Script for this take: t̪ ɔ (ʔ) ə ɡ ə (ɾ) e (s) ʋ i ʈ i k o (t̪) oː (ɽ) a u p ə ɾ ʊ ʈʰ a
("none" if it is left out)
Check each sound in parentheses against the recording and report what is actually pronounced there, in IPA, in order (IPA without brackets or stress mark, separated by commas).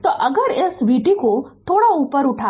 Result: ʔ, ɾ, s, t̪ʰ, ɽ